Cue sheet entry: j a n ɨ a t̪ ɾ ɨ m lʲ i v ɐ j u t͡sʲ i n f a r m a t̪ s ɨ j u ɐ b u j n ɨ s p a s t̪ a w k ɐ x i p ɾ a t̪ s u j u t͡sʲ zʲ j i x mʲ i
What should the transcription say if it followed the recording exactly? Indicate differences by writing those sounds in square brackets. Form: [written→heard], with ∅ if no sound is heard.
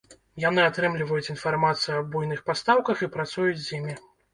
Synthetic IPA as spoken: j a n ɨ a t̪ ɾ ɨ m lʲ i v ɐ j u t͡sʲ i n f a r m a t̪ s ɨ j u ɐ b u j n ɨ [s→x] p a s t̪ a w k ɐ x i p ɾ a t̪ s u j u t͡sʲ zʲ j i [x→∅] mʲ i